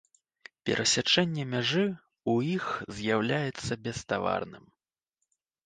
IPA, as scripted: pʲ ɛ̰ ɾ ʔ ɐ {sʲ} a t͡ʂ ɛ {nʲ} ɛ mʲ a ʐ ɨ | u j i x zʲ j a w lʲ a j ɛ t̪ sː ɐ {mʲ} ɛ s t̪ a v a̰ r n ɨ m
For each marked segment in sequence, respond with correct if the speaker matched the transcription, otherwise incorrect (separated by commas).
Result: correct, incorrect, incorrect